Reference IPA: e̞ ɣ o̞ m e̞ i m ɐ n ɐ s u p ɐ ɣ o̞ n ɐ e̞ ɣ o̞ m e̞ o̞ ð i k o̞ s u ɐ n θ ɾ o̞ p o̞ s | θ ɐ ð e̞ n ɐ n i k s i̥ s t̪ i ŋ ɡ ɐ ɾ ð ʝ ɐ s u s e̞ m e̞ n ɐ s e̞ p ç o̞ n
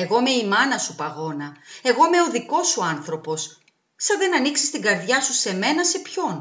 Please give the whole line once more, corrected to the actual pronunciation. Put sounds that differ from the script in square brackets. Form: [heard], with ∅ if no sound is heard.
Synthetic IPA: e̞ ɣ o̞ m e̞ i m ɐ n ɐ s u p ɐ ɣ o̞ n ɐ e̞ ɣ o̞ m e̞ o̞ ð i k o̞ s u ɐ n θ ɾ o̞ p o̞ s | [s] ɐ ð e̞ n ɐ n i k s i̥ s t̪ i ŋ ɡ ɐ ɾ ð ʝ ɐ s u s e̞ m e̞ n ɐ s e̞ p ç o̞ n